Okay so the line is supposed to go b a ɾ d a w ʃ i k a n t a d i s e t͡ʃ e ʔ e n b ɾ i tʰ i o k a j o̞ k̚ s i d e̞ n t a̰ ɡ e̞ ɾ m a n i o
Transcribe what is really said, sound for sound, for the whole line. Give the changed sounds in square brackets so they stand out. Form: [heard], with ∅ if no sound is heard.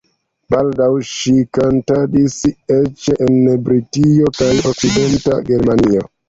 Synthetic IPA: b a [l] d a w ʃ i k a n t a d i s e t͡ʃ e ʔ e n b ɾ i [t] i o k a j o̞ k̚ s i d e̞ n t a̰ ɡ e̞ ɾ m a n i o